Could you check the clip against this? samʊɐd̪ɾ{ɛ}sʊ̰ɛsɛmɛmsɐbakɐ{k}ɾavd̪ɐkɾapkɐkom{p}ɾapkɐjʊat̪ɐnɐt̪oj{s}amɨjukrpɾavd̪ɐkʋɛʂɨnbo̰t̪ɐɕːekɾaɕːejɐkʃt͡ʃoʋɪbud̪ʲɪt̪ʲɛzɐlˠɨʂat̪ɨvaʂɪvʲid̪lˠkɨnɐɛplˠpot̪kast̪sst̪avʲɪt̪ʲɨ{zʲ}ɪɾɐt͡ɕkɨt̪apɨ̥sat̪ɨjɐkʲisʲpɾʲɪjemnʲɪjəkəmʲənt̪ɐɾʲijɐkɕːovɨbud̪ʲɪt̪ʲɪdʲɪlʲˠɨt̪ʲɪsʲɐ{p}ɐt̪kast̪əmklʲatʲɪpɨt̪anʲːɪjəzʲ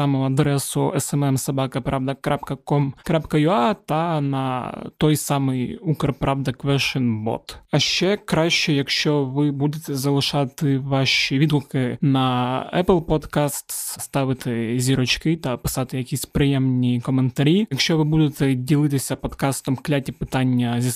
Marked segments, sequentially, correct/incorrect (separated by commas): correct, incorrect, incorrect, correct, correct, correct